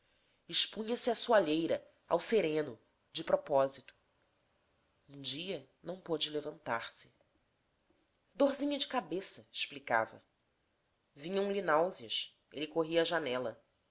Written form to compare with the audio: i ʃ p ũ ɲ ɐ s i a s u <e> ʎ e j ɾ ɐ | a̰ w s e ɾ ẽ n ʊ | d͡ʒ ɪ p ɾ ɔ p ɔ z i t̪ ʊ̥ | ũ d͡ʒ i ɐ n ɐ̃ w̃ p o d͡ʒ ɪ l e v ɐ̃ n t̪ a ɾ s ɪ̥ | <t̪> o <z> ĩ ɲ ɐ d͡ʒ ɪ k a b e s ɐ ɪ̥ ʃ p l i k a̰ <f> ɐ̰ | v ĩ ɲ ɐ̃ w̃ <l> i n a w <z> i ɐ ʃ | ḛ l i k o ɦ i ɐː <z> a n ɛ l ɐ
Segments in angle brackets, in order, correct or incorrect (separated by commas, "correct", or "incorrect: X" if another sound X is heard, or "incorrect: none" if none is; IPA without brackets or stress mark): incorrect: a, incorrect: d̪, correct, incorrect: v, correct, correct, incorrect: ʒ